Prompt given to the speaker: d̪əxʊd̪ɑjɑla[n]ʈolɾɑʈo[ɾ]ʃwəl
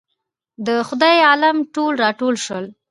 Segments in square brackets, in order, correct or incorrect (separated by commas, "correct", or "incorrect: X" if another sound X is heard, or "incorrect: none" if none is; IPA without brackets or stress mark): incorrect: m, incorrect: l